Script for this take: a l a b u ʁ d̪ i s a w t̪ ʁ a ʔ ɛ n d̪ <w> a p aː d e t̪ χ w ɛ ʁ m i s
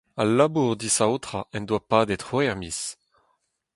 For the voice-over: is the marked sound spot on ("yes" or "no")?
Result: yes